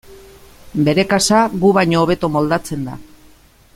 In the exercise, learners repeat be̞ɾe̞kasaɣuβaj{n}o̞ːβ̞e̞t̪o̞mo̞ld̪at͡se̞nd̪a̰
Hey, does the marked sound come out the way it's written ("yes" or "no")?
no